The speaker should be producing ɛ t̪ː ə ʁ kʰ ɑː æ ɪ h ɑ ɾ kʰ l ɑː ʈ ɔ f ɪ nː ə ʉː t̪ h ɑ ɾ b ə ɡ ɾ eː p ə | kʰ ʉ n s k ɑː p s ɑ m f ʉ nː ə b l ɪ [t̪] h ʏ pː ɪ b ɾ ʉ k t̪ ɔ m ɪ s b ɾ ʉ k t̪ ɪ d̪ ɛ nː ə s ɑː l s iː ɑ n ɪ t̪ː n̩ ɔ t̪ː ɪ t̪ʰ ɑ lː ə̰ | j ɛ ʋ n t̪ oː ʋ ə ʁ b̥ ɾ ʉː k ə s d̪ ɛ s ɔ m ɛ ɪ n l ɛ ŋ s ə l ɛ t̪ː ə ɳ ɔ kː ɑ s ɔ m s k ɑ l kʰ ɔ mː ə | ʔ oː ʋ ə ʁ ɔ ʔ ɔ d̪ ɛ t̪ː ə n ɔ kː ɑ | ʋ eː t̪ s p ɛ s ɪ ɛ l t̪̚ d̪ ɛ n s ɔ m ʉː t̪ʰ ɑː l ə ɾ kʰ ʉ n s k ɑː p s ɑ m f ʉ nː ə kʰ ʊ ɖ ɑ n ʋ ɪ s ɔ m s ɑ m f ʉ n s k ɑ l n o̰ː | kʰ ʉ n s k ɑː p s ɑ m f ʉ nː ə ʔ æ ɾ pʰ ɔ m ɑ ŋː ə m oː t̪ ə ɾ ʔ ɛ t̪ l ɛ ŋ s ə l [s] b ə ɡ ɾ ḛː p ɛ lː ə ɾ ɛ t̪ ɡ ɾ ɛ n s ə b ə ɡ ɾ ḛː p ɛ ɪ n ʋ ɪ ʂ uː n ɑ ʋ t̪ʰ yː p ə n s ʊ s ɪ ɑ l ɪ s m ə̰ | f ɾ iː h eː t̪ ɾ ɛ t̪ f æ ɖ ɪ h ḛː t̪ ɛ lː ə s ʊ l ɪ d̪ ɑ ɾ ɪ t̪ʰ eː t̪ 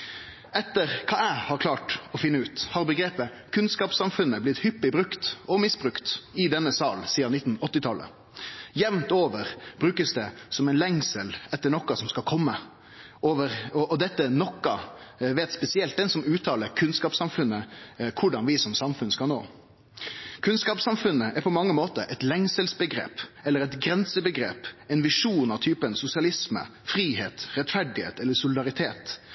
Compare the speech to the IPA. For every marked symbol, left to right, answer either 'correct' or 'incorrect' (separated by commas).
correct, correct